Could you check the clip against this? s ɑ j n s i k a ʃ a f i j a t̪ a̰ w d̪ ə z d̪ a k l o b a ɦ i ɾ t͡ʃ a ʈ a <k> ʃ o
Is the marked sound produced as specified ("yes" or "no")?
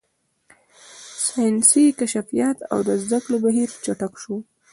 yes